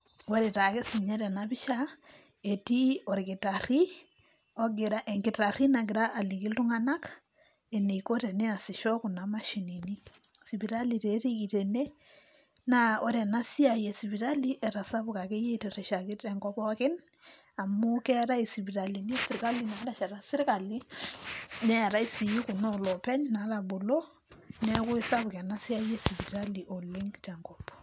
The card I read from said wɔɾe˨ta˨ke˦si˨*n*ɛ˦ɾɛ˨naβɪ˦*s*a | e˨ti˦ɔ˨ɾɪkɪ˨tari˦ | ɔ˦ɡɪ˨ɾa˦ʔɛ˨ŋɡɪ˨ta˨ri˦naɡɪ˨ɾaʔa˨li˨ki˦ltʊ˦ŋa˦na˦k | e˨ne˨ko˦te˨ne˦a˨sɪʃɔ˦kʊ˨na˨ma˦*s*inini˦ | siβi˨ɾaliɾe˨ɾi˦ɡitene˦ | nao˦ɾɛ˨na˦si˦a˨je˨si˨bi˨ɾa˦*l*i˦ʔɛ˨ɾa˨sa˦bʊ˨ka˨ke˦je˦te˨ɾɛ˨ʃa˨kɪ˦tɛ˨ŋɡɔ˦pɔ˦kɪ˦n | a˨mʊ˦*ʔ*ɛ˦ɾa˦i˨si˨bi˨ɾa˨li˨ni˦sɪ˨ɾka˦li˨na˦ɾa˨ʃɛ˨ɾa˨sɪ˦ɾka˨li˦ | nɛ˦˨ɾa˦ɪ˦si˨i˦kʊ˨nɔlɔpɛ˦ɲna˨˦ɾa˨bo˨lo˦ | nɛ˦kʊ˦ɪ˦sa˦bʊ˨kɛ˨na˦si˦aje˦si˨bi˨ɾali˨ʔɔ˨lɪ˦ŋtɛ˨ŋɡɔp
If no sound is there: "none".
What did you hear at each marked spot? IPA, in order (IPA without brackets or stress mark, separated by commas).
ɲ, ʃ, ʃ, l, k